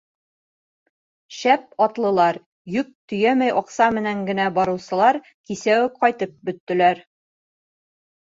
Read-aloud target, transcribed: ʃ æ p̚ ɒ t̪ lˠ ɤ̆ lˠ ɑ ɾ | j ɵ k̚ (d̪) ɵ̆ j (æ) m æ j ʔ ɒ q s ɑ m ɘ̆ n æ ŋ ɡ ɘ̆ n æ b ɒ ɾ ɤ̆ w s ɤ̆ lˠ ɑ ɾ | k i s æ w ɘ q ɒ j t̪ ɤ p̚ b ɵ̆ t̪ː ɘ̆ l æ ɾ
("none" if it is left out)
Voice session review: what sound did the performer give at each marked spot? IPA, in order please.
t̪, æ

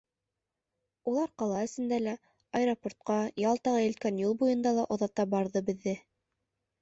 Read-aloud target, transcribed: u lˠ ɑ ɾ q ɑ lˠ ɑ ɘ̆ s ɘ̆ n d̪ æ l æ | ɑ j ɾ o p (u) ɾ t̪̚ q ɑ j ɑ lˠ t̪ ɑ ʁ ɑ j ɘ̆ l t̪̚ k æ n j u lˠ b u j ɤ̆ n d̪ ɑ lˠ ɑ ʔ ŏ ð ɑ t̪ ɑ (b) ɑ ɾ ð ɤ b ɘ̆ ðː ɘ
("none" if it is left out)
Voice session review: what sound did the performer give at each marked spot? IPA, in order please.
o, b

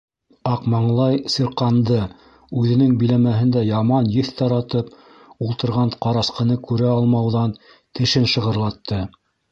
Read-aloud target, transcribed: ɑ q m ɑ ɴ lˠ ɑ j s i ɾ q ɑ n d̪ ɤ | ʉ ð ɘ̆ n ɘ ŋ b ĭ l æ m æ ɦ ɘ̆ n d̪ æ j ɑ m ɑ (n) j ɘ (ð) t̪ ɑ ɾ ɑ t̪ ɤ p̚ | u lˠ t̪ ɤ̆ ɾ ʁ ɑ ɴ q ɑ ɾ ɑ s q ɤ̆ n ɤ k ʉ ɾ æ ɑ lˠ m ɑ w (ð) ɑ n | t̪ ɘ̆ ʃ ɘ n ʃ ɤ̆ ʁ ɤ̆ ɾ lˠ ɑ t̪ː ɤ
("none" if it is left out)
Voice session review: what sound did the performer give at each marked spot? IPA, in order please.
n, θ, ð

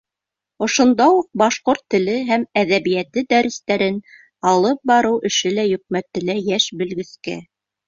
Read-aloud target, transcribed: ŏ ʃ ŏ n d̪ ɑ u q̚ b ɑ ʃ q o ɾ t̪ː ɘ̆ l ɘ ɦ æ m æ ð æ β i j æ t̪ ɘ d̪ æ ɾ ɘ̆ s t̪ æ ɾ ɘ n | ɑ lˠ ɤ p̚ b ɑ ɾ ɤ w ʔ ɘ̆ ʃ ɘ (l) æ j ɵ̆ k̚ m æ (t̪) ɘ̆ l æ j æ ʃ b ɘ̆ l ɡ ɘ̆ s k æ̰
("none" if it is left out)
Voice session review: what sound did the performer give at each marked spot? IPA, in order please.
l, t̪

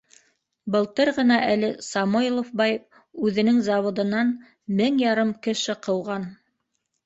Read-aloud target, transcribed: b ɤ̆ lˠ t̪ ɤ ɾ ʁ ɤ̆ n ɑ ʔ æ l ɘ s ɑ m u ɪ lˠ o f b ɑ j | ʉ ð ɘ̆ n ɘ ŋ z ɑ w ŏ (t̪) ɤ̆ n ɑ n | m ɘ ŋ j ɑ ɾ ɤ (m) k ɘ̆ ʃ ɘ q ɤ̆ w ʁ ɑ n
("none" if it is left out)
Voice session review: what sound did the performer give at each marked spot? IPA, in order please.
d̪, m

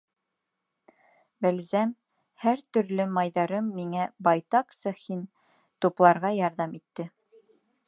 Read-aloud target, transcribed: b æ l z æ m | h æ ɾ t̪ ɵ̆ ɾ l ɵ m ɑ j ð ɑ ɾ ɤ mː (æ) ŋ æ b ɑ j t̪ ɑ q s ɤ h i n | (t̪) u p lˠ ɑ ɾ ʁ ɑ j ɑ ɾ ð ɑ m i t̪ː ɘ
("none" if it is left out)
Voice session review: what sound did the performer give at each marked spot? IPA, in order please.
i, t̪

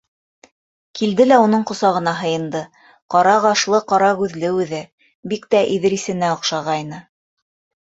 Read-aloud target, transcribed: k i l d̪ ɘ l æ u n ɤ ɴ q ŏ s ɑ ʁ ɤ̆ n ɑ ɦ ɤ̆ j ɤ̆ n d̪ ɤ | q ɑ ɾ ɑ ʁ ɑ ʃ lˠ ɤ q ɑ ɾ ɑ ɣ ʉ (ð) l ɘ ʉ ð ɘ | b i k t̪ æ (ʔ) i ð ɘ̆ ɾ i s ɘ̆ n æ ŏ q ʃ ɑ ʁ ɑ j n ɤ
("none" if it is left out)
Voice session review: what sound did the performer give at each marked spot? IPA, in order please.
ð, ʔ

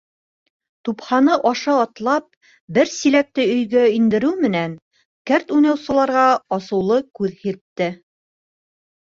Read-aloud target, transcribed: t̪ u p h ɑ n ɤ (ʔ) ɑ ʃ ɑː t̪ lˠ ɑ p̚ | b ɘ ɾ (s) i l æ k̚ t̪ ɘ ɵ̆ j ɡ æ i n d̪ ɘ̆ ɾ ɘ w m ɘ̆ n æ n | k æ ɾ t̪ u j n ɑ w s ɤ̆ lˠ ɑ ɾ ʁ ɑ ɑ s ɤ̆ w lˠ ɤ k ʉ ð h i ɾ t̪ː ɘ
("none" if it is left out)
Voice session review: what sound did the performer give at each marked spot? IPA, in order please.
ʔ, s

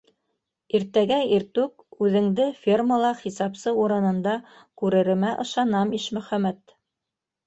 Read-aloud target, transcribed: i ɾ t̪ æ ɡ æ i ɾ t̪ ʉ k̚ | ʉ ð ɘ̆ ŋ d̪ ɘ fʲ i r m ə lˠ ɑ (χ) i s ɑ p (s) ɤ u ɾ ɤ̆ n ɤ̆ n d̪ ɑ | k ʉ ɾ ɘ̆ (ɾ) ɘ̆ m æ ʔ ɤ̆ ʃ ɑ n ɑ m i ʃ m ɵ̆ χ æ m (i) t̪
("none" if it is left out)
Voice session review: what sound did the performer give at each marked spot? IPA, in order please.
χ, s, ɾ, æ

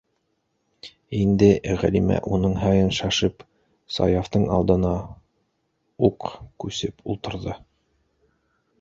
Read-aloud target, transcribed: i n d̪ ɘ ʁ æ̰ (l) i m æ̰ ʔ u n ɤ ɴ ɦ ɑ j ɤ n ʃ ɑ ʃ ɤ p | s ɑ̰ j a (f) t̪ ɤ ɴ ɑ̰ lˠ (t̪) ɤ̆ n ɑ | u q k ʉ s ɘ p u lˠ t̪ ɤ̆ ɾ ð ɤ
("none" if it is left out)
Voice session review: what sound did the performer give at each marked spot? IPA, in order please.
l, f, d̪

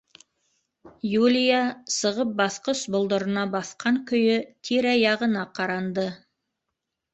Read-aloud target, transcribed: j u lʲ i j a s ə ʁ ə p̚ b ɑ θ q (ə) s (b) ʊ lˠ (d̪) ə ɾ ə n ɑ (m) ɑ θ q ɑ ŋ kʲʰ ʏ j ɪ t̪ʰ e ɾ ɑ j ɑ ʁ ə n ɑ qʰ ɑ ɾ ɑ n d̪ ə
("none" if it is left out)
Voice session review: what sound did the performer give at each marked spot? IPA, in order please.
ə, b, d̪, b

